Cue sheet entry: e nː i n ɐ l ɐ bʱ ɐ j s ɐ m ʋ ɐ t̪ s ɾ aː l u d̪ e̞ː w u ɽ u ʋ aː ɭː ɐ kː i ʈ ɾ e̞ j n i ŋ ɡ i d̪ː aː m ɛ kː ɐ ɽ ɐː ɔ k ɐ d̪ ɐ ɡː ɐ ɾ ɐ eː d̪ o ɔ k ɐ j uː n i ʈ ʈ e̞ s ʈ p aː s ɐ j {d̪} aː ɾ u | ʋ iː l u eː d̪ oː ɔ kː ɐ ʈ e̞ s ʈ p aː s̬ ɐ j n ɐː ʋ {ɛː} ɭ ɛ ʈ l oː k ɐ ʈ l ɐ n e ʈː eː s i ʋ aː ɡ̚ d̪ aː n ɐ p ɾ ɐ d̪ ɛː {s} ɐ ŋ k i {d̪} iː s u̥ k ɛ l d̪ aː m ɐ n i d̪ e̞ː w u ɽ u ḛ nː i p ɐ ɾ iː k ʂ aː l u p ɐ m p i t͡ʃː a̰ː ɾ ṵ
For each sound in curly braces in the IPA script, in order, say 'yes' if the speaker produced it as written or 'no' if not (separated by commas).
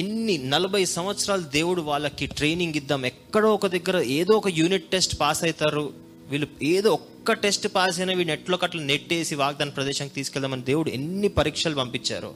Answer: no, no, no, no